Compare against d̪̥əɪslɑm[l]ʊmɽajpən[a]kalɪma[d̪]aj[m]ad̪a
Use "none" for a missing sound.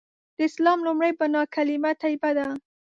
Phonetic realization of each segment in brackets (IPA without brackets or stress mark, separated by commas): l, ɑ, t̪, b